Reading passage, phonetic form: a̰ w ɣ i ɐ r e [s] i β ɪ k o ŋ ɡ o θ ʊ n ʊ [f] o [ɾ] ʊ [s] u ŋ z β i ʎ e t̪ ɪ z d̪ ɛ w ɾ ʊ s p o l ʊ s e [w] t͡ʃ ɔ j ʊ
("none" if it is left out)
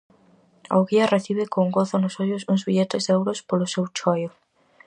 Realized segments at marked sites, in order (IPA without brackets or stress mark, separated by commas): θ, s, ʎ, s, w